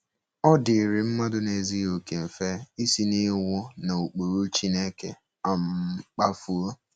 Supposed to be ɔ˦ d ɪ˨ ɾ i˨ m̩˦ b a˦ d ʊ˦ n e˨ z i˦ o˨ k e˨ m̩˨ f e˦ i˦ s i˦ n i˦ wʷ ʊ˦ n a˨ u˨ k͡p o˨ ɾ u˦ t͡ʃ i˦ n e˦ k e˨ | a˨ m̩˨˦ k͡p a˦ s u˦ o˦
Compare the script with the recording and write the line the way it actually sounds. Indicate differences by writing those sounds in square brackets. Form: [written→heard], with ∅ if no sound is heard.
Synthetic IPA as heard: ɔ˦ d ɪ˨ ɾ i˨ m̩˦ [b→m] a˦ d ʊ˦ n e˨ z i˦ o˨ k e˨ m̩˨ f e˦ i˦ s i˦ n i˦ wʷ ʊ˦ n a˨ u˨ k͡p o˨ ɾ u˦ t͡ʃ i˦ n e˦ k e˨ | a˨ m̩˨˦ k͡p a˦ [s→f] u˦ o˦